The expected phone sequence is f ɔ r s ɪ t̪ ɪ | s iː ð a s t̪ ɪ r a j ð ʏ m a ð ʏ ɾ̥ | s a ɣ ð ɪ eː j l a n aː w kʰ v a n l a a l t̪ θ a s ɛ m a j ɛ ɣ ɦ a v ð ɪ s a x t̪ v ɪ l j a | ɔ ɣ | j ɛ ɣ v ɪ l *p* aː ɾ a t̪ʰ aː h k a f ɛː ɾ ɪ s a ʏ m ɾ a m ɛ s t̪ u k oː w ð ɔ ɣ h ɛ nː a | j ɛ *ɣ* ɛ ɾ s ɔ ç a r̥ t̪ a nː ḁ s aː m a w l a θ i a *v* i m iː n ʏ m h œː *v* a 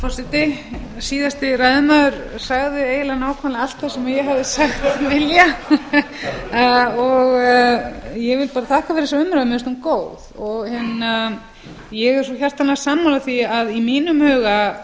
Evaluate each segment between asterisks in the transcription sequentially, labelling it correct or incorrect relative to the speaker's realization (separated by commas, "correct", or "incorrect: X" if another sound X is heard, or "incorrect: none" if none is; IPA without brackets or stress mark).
correct, correct, incorrect: ð, incorrect: ɣ